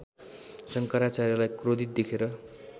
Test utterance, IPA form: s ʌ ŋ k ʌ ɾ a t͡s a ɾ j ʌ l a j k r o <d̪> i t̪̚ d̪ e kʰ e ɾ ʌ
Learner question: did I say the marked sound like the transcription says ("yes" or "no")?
yes